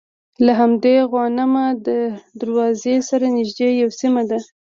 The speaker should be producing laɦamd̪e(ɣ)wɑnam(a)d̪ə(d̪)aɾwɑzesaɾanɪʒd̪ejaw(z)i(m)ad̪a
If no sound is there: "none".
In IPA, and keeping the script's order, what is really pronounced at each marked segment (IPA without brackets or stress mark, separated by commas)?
ɣ, a, d̪, s, m